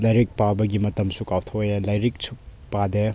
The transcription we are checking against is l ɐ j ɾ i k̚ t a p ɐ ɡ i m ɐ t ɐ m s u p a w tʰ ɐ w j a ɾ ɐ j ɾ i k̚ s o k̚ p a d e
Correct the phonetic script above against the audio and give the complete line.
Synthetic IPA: l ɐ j ɾ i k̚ p a b ɐ ɡ i m ɐ t ɐ m s u k a w tʰ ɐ w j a l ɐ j ɾ i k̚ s u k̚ p a d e